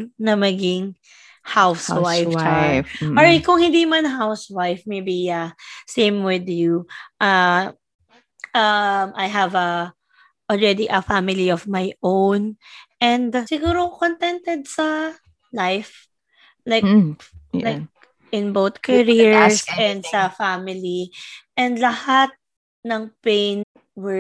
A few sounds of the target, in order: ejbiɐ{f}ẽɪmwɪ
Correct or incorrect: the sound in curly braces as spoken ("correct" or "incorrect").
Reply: incorrect